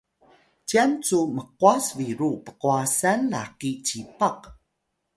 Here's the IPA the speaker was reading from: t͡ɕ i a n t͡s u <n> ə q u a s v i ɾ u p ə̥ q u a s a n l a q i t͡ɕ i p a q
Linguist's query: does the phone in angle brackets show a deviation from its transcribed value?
yes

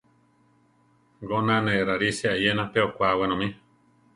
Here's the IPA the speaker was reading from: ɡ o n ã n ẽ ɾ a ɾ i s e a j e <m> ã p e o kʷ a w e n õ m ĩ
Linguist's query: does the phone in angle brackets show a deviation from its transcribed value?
yes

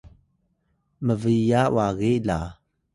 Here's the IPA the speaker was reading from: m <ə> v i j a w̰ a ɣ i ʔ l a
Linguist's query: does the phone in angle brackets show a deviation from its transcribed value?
no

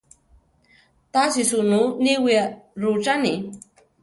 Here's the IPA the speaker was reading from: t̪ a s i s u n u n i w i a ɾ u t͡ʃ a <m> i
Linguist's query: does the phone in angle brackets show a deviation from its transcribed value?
yes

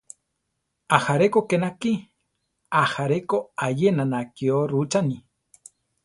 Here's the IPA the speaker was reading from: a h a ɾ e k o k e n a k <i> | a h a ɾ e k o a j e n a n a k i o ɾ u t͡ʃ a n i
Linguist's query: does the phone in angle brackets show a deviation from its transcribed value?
no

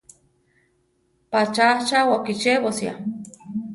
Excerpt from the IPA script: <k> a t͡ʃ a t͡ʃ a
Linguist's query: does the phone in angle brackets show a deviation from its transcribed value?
yes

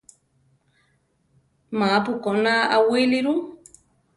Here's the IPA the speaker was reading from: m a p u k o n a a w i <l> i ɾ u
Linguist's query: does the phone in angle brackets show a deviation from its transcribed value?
no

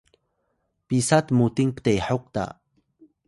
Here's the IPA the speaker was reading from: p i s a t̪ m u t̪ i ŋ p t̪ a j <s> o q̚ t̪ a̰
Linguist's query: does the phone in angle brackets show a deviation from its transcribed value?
yes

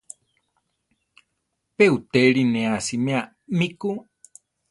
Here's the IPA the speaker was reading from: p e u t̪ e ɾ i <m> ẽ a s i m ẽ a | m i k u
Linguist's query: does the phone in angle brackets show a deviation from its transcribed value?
yes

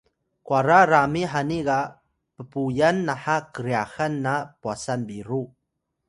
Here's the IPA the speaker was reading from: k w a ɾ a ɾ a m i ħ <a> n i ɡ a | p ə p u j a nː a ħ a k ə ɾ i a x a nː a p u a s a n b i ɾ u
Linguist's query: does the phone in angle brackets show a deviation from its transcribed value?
no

